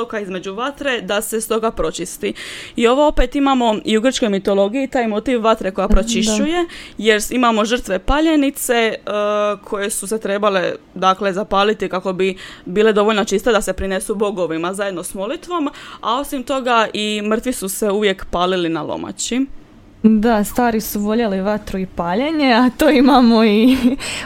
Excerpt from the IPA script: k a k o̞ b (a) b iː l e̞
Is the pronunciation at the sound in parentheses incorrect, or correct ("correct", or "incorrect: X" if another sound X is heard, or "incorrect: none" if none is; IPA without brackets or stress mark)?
incorrect: i